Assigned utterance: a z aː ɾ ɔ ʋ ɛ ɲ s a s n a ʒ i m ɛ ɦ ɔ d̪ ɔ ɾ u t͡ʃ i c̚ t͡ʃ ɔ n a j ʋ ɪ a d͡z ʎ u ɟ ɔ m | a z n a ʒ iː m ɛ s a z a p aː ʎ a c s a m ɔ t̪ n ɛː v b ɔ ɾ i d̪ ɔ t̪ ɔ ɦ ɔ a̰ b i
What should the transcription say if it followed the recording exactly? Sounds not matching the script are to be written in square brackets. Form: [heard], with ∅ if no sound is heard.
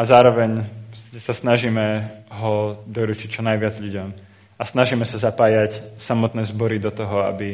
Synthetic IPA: a z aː ɾ ɔ ʋ ɛ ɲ s a s n a ʒ i m ɛ ɦ ɔ d̪ ɔ ɾ u t͡ʃ i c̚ t͡ʃ ɔ n a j ʋ ɪ a d͡z ʎ u ɟ ɔ m | a [s] n a ʒ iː m ɛ s a z a p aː [j] a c s a m ɔ t̪ n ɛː [z] b ɔ ɾ i d̪ ɔ t̪ ɔ ɦ ɔ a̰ b i